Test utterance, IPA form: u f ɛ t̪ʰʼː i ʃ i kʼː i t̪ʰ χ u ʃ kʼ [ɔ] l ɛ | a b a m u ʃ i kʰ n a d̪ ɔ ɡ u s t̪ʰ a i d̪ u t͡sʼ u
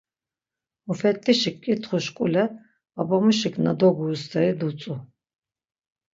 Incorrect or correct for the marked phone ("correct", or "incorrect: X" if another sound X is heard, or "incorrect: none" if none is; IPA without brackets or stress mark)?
incorrect: u